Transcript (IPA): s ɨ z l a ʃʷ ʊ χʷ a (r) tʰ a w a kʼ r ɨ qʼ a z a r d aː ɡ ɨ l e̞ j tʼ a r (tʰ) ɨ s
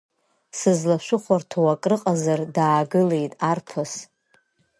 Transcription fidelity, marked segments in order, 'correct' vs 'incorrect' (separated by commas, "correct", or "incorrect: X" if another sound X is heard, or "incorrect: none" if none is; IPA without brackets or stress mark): correct, incorrect: pʰ